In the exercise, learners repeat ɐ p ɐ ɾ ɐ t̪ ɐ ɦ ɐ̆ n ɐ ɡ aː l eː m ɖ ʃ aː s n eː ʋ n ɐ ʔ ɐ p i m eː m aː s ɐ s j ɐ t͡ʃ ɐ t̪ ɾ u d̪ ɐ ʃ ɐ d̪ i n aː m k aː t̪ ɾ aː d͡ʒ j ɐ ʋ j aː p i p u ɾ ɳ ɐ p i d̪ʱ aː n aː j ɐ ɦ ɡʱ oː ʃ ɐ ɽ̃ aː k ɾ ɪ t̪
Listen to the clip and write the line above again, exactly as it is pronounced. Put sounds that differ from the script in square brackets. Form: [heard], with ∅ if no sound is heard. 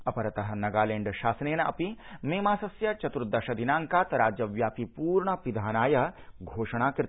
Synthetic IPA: ɐ p ɐ ɾ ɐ t̪ ɐ ɦ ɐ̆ n ɐ ɡ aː l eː [ɳ] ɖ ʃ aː s n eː [∅] n ɐ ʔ ɐ p i m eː m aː s ɐ s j ɐ t͡ʃ ɐ t̪ ɾ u d̪ ɐ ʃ ɐ d̪ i n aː [ŋ] k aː t̪ ɾ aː d͡ʒ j ɐ ʋ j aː p i p [uː] ɾ ɳ ɐ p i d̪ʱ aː n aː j ɐ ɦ ɡʱ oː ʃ ɐ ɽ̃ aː k ɾ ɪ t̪